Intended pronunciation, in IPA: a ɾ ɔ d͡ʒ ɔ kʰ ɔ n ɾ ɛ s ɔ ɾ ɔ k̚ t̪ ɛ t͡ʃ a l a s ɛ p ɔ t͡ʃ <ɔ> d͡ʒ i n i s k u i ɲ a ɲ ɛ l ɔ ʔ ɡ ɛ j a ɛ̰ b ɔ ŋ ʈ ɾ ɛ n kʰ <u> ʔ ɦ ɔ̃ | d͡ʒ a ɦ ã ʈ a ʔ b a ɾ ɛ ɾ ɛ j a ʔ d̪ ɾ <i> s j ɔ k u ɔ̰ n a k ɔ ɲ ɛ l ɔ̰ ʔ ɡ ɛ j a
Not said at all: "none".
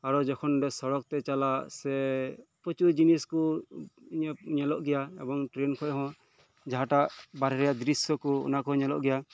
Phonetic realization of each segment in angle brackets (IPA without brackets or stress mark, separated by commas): u, ɔ, i